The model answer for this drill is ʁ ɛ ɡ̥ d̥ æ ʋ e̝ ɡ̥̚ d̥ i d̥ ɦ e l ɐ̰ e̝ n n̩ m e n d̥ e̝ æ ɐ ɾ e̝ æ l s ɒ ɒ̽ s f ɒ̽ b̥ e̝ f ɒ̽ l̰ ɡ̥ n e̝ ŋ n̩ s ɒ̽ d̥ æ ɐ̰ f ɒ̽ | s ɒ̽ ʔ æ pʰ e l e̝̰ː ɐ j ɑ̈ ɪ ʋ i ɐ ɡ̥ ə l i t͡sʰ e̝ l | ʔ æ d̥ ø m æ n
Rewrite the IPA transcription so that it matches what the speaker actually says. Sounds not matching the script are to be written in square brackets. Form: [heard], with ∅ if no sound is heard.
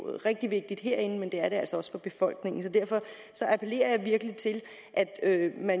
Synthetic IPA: ʁ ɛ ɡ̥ d̥ [i] ʋ e̝ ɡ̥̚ d̥ i d̥ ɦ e [∅] ɐ̰ e̝ n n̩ m e n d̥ e̝ æ ɐ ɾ e̝ æ l s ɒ ɒ̽ s f ɒ̽ b̥ e̝ f ɒ̽ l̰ ɡ̥ n e̝ ŋ n̩ s ɒ̽ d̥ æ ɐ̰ f ɒ̽ | s ɒ̽ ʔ æ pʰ e l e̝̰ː ɐ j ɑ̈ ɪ ʋ i ɐ ɡ̥ ə l i t͡sʰ e̝ l | ʔ æ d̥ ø m æ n